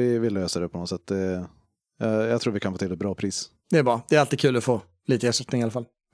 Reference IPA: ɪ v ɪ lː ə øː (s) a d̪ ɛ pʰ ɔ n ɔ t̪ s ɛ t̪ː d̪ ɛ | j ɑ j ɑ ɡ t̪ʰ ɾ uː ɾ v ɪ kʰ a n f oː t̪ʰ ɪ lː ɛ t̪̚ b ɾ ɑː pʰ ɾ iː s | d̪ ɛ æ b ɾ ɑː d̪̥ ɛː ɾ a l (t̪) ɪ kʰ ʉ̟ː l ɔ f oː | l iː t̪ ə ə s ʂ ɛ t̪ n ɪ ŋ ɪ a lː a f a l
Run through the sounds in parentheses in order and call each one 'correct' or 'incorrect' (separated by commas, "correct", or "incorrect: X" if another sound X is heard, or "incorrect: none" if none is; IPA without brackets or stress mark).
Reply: correct, correct